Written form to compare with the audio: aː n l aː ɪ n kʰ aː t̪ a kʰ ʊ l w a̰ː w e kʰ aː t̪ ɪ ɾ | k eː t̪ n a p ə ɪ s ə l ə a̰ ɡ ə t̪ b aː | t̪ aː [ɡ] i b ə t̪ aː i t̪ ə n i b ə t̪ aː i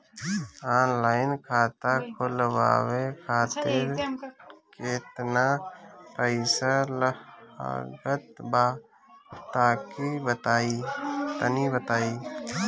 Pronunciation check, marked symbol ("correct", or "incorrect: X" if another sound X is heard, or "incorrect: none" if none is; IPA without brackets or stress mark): incorrect: k